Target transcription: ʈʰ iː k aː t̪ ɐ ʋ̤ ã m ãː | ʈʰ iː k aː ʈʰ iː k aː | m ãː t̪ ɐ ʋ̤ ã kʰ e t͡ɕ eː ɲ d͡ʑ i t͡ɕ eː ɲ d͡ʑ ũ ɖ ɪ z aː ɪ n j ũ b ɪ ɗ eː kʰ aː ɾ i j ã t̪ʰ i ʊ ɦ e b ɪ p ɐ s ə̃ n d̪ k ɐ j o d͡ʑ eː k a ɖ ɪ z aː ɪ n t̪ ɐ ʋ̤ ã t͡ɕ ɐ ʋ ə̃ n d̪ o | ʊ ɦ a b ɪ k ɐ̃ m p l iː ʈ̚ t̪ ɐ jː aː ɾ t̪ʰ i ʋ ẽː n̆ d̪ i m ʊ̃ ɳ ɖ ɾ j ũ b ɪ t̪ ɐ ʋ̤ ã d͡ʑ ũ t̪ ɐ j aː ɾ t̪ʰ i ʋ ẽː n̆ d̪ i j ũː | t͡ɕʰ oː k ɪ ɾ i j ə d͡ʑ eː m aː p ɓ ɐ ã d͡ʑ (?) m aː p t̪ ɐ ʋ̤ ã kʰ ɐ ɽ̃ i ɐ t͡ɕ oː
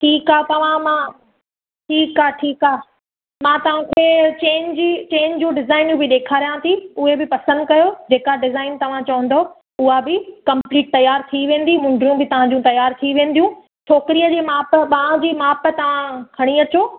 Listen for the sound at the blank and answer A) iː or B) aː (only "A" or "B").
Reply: A